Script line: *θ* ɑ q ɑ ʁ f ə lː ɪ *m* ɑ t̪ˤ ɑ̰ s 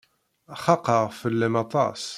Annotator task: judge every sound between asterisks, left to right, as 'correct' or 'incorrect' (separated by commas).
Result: incorrect, correct